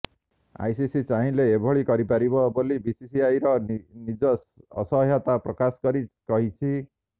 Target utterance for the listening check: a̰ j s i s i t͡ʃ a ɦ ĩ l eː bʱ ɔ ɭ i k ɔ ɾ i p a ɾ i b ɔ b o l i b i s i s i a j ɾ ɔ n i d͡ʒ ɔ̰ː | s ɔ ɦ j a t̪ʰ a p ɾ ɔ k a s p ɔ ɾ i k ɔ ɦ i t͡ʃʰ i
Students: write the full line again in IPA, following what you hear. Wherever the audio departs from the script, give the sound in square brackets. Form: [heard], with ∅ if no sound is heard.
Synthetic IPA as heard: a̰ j s i s i t͡ʃ a ɦ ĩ l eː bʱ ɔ ɭ i k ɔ ɾ i p a ɾ i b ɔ b o l i b i s i s i a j ɾ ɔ n i d͡ʒ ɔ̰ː | s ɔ ɦ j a [t̪] a p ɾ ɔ k a s [k] ɔ ɾ i k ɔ ɦ i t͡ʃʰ i